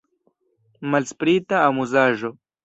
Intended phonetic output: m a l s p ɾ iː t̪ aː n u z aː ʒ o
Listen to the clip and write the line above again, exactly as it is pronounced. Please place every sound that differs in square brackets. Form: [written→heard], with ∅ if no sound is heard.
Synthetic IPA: m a l s p ɾ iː t̪ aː [n→m] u z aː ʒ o